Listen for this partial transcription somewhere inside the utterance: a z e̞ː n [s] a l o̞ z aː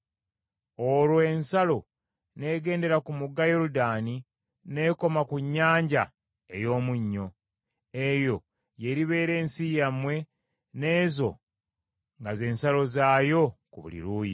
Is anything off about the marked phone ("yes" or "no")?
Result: no